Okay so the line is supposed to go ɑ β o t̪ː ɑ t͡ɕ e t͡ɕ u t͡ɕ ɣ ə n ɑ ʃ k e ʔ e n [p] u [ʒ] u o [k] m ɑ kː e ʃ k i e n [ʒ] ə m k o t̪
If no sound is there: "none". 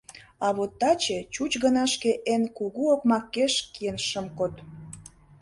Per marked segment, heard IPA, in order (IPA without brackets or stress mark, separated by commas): k, ɣ, k, ʃ